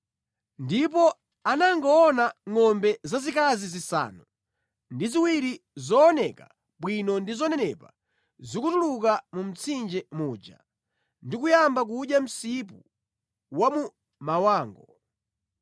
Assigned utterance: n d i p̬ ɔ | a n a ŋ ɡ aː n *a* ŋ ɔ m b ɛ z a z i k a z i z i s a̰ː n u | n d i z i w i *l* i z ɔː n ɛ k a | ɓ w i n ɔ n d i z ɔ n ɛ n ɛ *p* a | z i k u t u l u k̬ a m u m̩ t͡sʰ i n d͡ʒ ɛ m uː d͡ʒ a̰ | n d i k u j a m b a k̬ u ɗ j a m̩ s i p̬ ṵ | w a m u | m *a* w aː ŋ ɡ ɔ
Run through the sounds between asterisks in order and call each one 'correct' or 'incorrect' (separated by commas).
correct, incorrect, correct, correct